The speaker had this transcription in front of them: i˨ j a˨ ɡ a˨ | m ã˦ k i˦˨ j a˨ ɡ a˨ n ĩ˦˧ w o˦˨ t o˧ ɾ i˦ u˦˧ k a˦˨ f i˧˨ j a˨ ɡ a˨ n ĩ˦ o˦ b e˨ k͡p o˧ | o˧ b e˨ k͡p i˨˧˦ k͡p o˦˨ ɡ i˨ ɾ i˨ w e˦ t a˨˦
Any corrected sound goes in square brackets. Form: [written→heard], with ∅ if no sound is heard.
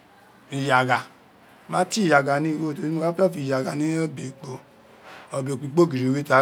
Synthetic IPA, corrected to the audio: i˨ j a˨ ɡ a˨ | m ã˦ [k→t] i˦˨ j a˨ ɡ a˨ n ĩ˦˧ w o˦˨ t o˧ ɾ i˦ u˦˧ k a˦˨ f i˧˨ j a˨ ɡ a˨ n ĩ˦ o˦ b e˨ k͡p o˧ | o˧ b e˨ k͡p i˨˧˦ k͡p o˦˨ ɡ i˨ ɾ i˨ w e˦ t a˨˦